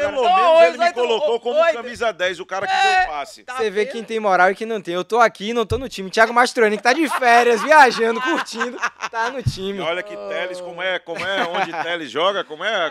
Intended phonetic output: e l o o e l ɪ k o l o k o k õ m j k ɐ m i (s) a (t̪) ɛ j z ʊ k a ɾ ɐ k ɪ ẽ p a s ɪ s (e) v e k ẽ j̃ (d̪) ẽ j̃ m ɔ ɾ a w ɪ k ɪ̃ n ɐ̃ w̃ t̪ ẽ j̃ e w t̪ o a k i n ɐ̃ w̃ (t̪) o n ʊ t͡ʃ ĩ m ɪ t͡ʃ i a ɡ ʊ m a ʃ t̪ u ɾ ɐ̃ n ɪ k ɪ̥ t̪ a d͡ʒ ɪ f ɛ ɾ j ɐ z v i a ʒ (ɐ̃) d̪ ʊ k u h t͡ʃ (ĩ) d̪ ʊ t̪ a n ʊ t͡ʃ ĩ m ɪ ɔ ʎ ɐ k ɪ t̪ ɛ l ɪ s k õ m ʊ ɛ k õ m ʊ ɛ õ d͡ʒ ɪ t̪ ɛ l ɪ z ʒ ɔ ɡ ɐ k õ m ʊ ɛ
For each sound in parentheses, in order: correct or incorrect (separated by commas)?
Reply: incorrect, incorrect, correct, incorrect, correct, correct, correct